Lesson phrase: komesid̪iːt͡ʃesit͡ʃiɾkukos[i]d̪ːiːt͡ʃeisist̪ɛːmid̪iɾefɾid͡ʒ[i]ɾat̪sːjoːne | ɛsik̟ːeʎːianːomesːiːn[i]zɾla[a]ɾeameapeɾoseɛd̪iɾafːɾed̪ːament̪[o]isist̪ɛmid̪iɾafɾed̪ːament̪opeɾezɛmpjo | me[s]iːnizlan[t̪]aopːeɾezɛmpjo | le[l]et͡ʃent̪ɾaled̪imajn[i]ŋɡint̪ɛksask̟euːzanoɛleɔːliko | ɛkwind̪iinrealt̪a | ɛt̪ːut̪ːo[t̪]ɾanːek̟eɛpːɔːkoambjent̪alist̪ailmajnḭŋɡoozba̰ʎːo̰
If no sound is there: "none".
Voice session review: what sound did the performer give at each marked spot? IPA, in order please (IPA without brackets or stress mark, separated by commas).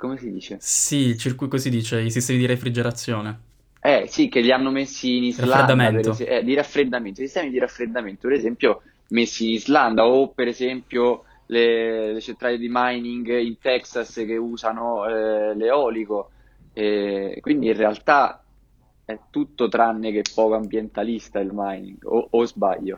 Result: i, e, i, a, o, sː, d̪, l, i, t̪